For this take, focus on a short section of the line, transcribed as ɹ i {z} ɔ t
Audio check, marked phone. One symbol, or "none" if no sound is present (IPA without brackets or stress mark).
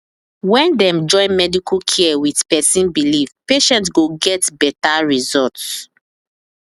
z